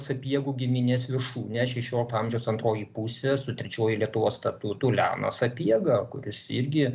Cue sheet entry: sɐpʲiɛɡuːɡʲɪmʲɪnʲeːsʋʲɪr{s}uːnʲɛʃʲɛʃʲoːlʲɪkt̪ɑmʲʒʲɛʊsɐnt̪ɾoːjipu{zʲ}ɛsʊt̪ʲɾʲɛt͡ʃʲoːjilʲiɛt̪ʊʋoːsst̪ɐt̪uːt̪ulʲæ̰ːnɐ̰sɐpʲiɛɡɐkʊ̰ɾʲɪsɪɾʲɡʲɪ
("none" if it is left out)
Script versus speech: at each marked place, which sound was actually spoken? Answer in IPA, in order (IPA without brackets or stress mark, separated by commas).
ʃ, sʲ